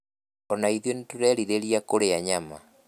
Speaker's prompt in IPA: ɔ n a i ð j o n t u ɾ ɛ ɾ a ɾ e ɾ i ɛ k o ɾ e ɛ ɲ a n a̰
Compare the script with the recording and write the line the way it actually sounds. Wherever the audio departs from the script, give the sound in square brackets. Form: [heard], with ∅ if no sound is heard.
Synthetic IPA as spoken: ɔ n a i ð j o n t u ɾ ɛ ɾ [i] ɾ e ɾ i [a] k o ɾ e [a] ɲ a [m] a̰